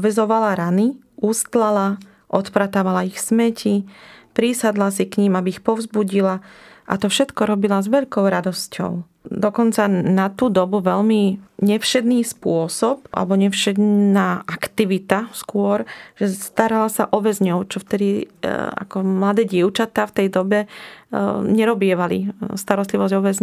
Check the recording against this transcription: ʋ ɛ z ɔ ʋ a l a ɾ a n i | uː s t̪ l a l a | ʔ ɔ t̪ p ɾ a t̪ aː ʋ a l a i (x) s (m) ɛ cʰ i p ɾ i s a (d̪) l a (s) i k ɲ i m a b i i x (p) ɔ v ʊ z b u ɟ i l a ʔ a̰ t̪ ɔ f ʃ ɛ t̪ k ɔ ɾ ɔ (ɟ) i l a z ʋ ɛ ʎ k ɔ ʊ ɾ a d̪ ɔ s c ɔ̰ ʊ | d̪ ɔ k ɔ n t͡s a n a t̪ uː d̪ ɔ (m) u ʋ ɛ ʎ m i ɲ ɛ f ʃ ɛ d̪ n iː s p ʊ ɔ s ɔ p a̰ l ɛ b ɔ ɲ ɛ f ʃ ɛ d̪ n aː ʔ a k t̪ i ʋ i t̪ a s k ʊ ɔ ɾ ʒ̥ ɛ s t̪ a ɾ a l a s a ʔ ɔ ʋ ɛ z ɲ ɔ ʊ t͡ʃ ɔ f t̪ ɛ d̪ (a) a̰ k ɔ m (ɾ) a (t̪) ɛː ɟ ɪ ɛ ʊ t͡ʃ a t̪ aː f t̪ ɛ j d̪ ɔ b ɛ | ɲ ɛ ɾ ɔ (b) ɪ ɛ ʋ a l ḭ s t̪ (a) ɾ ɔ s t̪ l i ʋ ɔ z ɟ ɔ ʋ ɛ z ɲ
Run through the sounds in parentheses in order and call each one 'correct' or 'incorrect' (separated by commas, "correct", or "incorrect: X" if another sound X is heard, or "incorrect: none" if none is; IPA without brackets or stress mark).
correct, correct, correct, correct, correct, incorrect: b, incorrect: b, incorrect: i, incorrect: l, incorrect: d̪, correct, correct